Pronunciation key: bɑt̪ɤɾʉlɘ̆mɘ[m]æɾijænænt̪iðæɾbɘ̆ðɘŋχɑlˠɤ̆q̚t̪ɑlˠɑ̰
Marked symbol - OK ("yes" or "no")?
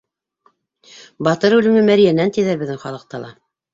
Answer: yes